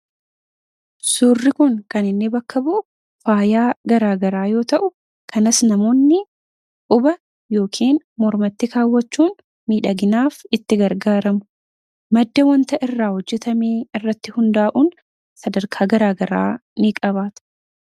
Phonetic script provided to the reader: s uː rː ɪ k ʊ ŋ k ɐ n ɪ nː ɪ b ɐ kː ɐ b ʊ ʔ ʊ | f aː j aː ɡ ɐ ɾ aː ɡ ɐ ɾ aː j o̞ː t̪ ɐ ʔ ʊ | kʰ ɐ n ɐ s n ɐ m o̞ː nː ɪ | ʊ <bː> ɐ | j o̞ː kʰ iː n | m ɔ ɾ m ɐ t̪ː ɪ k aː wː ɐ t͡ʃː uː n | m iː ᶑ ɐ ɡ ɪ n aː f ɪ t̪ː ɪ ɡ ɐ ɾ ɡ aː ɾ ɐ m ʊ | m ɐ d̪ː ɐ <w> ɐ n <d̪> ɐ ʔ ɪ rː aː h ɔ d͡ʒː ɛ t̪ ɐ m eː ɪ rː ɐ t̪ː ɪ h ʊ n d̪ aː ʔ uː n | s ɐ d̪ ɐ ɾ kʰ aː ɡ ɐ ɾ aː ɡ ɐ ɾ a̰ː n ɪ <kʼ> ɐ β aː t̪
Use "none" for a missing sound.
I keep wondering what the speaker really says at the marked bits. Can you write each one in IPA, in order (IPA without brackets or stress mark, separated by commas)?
b, w, t̪, kʼ